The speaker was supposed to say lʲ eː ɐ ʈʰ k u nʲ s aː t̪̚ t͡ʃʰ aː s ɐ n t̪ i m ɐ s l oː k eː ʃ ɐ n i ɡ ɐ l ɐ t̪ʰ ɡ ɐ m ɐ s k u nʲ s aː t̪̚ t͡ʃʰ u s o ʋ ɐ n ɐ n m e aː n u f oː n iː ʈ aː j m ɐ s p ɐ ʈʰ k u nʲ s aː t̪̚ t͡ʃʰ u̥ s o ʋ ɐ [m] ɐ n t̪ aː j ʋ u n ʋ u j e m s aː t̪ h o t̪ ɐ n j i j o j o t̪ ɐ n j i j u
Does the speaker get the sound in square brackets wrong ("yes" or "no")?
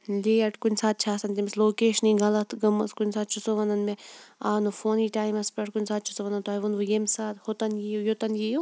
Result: yes